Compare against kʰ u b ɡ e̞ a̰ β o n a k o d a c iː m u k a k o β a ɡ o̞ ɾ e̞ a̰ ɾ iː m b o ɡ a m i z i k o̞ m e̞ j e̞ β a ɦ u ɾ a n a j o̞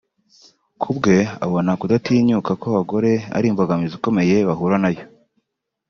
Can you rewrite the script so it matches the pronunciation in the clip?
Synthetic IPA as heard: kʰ u b ɡ e̞ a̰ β o n a k u d a t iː ɲ u k a k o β a ɡ o̞ ɾ e̞ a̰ ɾ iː m b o ɡ a m i z i k o̞ m e̞ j e̞ β a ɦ u ɾ a n a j o̞